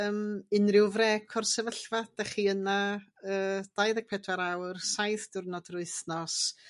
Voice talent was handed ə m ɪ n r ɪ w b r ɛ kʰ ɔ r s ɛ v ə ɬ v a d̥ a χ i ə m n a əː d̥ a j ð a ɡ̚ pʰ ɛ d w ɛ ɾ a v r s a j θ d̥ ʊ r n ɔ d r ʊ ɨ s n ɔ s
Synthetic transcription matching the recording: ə m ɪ n r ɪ w v r ɛ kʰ ɔ r s ɛ v ə ɬ v a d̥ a χ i ə n a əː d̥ a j ð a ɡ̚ pʰ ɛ d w a ɾ a w r s a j θ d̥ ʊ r n ɔ d r ʊ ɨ θ n ɔ s